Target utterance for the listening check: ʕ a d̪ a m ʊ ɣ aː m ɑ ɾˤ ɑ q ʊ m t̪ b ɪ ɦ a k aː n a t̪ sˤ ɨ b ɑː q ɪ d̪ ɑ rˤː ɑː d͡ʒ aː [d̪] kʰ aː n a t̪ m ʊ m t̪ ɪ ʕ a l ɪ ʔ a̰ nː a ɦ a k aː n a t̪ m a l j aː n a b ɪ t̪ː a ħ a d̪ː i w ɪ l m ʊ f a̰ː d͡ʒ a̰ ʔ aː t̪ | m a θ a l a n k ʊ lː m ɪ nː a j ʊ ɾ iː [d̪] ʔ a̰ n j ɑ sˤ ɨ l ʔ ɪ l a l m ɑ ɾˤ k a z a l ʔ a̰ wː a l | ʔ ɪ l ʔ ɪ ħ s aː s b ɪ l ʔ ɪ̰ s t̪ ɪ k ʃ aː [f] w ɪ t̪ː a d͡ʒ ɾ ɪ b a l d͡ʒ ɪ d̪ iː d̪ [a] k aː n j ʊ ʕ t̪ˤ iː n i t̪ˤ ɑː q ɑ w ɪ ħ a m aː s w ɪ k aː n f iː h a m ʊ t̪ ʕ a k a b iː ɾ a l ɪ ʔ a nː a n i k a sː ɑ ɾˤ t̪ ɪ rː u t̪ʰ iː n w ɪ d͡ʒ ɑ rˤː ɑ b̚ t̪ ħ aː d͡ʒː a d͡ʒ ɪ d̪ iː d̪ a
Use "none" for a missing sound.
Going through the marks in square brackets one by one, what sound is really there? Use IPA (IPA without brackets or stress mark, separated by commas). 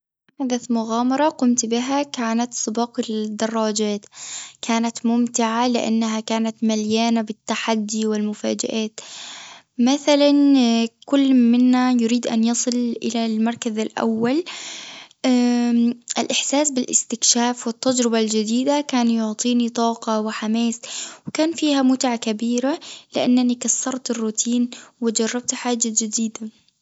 t̪, d̪, f, a